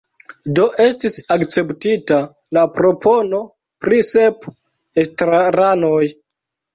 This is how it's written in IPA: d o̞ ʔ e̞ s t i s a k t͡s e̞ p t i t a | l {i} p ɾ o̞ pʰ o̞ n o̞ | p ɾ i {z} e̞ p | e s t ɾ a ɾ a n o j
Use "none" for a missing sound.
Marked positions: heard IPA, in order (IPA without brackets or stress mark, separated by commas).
a, s